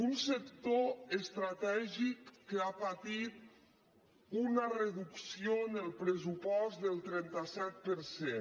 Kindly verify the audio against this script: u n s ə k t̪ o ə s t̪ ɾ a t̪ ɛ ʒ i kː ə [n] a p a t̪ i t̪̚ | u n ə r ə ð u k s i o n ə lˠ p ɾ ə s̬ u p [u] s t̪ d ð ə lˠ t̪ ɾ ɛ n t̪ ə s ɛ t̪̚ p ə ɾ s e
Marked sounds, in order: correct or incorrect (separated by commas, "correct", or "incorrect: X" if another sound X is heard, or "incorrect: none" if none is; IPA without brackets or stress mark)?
incorrect: none, incorrect: ɔ